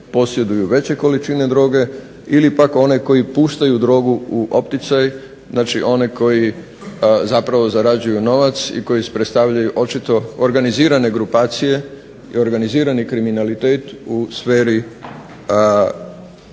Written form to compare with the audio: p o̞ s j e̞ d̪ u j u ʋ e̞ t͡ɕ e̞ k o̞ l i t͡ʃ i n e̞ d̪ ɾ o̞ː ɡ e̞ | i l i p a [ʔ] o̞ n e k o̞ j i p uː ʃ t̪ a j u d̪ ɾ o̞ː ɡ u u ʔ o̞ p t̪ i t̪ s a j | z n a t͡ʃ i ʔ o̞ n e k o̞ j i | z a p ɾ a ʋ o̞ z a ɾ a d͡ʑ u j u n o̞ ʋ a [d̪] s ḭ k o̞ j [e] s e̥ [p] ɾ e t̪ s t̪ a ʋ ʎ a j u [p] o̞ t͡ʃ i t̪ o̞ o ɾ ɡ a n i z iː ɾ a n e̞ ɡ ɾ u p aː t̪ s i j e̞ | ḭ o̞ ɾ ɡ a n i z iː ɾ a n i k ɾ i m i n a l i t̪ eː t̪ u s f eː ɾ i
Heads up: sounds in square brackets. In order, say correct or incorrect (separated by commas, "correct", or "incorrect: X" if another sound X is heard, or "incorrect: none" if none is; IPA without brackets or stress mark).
incorrect: k, incorrect: t̪, incorrect: i, correct, incorrect: ʔ